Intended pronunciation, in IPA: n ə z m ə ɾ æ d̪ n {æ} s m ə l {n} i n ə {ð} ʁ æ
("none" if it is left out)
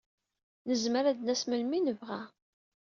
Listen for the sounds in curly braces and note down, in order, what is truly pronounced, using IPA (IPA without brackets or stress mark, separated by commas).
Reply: æ, m, v